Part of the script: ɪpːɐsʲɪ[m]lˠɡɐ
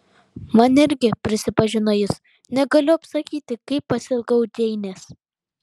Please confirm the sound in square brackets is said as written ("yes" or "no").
no